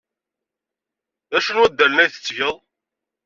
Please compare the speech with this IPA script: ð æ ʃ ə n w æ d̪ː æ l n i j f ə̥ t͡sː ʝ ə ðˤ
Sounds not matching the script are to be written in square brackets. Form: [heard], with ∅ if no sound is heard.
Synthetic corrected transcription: ð æ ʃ ə n w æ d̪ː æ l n [æ] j [θ] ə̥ t͡sː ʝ ə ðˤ